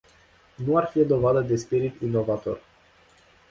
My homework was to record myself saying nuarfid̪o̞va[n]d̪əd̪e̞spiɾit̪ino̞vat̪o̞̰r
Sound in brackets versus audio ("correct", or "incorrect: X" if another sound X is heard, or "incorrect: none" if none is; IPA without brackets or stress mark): incorrect: none